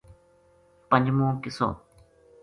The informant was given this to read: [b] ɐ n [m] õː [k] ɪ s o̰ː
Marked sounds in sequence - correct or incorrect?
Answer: incorrect: p, correct, correct

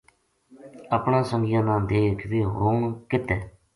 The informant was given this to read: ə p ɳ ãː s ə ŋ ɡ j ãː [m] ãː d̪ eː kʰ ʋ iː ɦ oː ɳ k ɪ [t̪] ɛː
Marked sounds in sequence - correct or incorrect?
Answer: incorrect: n, correct

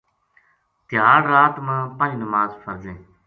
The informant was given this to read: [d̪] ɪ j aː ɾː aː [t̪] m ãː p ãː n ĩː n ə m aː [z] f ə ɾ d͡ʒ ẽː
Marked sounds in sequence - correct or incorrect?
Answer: incorrect: t̪, correct, correct

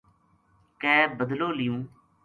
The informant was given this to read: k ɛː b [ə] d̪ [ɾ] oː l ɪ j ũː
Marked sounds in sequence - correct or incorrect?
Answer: correct, incorrect: l

